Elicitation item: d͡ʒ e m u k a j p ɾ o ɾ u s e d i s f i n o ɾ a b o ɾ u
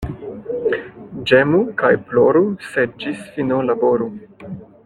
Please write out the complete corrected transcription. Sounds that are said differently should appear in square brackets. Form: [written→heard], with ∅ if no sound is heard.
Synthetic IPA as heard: d͡ʒ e m u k a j p [ɾ→l] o ɾ u s e [d→d͡ʒ] i s f i n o [ɾ→l] a b o ɾ u